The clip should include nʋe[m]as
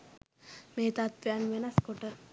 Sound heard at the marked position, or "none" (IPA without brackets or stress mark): n